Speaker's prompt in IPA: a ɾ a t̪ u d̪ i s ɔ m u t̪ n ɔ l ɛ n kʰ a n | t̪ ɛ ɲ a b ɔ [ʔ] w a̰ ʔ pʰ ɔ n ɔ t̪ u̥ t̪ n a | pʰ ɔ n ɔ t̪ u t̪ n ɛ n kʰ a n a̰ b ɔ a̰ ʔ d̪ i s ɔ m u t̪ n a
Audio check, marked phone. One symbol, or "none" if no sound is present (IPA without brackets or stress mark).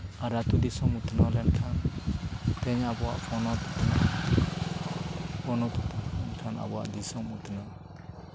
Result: none